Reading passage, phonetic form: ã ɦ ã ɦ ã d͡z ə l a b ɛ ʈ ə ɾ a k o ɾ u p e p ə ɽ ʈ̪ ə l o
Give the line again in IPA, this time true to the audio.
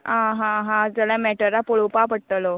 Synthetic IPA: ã ɦ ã ɦ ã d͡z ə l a m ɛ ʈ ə ɾ a p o ɭ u p a p ə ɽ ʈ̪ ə l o